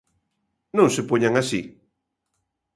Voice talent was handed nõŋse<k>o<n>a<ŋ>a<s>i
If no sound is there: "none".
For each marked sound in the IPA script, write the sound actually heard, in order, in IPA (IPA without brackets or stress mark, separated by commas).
p, ɲ, ŋ, s